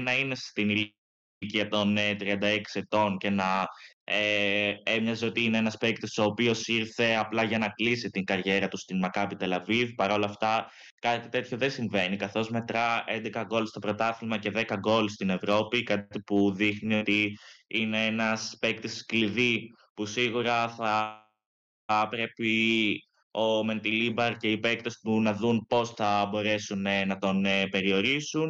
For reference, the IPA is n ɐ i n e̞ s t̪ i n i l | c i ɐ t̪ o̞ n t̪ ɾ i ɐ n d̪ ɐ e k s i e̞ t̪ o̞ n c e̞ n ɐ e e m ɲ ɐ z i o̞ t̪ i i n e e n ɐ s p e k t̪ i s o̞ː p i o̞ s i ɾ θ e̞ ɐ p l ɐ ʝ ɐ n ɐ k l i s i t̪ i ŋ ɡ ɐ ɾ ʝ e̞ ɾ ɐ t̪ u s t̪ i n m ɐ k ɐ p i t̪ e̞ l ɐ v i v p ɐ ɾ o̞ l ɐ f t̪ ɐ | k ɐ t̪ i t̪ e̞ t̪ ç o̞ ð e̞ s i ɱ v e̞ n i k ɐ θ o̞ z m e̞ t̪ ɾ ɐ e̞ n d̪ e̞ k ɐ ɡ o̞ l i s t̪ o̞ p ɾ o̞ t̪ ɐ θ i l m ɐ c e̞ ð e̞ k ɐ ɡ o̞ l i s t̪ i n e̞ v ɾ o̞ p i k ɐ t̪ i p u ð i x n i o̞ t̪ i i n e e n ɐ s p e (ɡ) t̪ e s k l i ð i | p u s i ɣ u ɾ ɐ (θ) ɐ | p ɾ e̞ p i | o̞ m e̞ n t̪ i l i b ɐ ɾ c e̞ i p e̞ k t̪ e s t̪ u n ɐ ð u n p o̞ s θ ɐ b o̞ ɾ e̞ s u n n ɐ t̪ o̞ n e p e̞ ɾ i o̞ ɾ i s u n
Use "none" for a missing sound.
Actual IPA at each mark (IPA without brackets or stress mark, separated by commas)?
k, θ